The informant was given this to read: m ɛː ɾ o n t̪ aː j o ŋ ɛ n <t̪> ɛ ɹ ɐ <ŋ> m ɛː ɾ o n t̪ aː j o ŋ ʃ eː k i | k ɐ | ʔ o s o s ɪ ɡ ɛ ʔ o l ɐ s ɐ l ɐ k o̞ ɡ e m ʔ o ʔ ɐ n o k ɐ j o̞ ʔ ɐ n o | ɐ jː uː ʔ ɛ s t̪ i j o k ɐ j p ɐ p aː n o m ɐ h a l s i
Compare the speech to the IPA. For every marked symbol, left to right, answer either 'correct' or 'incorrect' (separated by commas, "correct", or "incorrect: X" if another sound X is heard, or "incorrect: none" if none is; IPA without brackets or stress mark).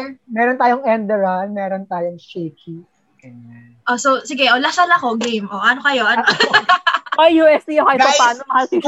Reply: incorrect: d̪, incorrect: n